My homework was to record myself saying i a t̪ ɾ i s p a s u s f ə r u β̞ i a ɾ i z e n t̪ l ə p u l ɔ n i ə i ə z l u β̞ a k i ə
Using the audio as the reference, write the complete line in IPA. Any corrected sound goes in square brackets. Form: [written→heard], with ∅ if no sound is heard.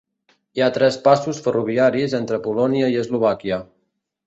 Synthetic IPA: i a t̪ ɾ [i→ɛ] s p a s u s f ə r u β̞ i a ɾ i z e n t̪ [l→ɾ] ə p u l ɔ n i ə i ə z l u β̞ a k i ə